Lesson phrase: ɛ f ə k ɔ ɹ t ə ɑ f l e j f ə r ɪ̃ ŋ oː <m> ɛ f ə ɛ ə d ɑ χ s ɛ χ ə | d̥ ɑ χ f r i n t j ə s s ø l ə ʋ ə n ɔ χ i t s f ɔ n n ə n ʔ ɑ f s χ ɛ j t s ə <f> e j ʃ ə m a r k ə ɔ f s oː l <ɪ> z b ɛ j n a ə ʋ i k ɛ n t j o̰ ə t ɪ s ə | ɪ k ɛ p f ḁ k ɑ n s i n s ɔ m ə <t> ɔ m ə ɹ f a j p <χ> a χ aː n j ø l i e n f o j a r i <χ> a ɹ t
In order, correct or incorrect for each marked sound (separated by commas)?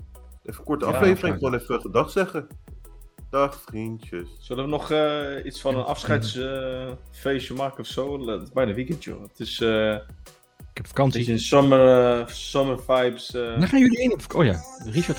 incorrect, correct, correct, incorrect, incorrect, incorrect